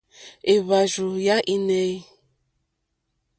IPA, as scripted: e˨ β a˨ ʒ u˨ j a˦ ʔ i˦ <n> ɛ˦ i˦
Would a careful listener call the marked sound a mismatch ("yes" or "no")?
no